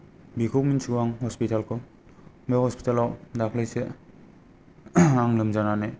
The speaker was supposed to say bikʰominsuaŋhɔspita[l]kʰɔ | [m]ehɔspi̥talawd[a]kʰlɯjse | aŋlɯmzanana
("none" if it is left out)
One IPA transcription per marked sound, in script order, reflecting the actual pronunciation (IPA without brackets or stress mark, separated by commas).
l, m, a